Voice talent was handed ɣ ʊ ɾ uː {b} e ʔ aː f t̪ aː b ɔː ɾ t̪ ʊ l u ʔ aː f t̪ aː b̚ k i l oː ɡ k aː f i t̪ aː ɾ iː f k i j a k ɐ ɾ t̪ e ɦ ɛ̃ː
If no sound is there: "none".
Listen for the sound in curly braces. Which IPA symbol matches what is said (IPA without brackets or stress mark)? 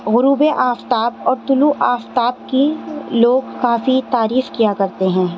b